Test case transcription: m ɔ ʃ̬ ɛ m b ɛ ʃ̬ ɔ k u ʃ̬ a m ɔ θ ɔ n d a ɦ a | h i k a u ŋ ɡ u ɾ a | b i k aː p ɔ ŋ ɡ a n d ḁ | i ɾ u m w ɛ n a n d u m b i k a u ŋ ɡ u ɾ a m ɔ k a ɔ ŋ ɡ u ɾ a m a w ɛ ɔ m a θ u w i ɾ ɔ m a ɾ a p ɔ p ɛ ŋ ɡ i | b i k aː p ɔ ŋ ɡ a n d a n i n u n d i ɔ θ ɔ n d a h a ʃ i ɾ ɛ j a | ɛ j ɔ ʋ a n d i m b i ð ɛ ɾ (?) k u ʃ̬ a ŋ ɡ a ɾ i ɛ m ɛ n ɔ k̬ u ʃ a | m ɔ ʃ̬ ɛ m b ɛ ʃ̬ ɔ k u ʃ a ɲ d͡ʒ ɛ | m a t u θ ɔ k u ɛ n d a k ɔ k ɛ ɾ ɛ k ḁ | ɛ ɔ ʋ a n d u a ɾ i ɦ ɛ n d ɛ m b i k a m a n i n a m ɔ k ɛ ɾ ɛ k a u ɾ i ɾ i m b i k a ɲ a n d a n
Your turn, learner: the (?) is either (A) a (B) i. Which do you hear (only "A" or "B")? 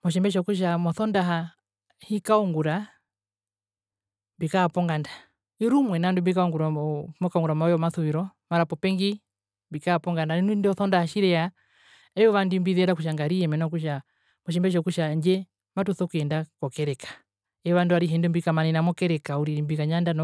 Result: A